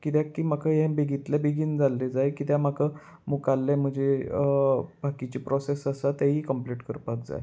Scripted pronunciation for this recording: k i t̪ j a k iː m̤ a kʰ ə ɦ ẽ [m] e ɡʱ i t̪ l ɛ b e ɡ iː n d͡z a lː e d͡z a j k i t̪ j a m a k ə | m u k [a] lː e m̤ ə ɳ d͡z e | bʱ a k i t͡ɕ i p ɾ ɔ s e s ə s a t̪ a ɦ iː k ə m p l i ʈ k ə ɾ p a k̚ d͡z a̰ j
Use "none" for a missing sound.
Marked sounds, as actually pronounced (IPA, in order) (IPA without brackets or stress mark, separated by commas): b, a